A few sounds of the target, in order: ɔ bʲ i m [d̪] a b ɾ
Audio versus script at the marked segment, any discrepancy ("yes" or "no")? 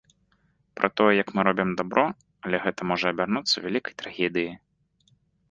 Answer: no